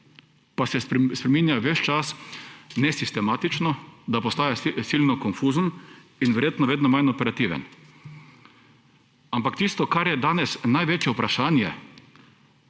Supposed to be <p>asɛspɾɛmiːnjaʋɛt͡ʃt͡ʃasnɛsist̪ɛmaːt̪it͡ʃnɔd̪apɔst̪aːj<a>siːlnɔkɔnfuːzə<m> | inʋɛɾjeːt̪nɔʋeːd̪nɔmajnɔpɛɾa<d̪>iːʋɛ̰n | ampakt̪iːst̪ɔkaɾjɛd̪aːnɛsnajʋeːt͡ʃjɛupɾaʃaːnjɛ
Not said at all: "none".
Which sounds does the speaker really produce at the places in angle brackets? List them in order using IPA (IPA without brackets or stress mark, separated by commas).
p, a, n, t̪